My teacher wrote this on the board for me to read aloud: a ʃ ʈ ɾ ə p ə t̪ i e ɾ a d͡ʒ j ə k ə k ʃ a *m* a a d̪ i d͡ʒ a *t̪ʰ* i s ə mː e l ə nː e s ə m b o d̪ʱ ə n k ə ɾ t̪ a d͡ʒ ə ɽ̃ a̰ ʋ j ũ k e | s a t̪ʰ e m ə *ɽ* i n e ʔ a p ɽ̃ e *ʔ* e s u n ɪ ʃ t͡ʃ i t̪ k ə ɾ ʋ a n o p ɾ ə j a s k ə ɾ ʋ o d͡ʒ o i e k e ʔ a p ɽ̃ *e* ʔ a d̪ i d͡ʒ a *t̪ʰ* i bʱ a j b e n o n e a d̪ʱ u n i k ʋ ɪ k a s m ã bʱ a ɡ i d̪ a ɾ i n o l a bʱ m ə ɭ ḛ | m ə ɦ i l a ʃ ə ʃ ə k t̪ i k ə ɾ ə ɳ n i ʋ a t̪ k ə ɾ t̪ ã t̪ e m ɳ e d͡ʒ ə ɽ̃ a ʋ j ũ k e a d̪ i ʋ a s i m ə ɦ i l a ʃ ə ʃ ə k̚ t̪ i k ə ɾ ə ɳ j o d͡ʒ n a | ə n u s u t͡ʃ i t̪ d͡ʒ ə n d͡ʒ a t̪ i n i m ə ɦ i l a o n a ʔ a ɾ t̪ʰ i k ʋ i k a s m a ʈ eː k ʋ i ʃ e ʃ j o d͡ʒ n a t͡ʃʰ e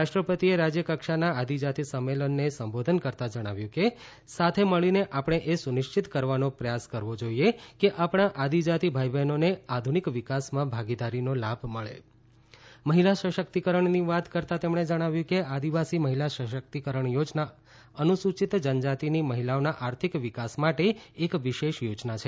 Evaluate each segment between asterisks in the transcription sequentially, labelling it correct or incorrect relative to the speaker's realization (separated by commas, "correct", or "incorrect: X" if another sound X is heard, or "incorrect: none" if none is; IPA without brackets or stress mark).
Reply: incorrect: n, incorrect: t̪, incorrect: ɭ, correct, incorrect: a, incorrect: t̪